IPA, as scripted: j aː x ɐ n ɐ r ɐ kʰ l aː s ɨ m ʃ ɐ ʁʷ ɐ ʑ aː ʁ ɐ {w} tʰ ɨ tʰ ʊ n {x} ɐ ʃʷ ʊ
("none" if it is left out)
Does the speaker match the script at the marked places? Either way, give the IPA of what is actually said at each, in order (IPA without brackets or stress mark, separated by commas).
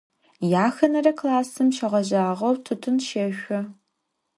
w, ʃ